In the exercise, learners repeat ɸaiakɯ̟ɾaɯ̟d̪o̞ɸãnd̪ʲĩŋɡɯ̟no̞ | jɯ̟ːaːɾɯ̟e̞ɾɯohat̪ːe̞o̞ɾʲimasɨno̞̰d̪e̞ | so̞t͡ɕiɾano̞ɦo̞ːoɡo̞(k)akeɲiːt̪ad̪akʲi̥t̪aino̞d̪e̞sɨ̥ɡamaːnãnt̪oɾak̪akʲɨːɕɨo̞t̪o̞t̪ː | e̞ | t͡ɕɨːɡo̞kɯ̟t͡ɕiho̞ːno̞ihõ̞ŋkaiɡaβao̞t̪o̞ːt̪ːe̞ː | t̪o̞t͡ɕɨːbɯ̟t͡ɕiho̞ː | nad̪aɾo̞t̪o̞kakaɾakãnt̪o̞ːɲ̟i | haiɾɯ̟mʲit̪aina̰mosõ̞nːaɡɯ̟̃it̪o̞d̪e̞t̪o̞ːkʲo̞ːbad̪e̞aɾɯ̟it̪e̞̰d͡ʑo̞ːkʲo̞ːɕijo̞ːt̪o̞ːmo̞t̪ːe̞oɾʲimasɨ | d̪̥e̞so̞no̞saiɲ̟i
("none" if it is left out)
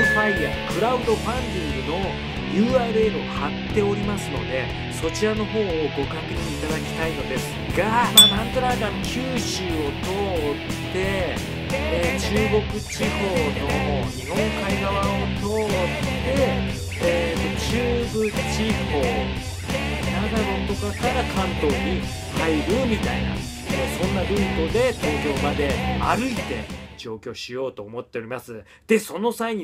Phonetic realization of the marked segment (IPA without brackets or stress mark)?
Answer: k